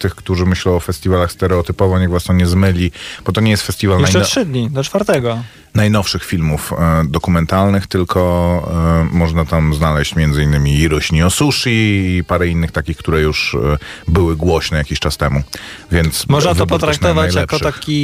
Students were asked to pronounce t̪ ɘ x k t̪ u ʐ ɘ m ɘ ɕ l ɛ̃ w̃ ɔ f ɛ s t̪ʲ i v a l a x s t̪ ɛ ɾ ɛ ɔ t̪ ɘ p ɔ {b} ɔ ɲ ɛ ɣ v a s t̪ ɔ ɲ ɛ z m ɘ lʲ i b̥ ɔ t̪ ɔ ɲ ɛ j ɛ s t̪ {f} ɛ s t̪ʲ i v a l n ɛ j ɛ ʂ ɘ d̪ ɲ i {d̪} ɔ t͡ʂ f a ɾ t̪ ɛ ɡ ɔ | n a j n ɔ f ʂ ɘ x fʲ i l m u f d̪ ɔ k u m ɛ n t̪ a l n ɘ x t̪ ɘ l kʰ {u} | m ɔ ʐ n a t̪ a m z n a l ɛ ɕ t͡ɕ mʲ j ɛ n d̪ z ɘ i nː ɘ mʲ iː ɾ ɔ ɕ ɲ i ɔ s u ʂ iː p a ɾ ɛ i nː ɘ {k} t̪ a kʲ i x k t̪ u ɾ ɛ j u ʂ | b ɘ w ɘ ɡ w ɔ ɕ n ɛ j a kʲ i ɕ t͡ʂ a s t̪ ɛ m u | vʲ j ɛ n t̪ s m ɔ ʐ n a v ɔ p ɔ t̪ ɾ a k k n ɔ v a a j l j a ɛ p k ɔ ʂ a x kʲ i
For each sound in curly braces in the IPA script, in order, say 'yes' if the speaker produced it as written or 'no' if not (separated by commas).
no, yes, yes, no, no